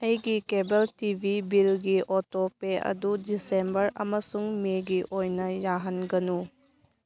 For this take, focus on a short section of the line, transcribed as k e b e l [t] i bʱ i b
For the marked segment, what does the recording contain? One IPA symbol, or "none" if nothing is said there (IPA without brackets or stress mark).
t